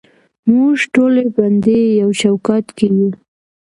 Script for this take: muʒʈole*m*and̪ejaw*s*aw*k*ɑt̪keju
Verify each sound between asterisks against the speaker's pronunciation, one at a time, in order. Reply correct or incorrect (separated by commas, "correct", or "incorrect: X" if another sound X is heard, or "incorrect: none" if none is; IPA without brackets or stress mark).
incorrect: b, incorrect: ʃ, correct